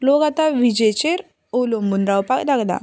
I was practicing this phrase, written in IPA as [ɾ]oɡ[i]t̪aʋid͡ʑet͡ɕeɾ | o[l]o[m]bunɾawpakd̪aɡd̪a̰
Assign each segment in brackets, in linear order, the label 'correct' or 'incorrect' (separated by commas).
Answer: incorrect, incorrect, correct, correct